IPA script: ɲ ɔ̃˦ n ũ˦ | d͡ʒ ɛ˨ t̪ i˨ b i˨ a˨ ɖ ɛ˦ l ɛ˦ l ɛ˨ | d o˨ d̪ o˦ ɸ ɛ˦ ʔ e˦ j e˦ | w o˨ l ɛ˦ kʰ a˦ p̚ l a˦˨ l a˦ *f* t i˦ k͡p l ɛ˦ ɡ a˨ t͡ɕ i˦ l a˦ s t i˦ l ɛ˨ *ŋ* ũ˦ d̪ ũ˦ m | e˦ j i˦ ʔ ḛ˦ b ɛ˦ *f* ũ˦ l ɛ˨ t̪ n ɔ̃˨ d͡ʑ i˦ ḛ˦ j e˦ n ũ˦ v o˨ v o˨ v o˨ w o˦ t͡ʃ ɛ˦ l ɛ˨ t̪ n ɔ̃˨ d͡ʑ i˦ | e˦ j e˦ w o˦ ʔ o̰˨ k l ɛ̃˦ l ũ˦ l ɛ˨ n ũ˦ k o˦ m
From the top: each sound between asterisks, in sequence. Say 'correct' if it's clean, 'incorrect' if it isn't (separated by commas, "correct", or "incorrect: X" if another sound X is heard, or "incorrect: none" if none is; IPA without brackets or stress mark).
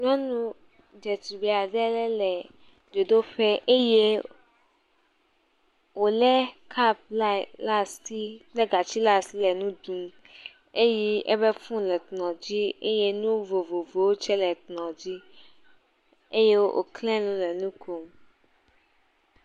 incorrect: s, incorrect: n, correct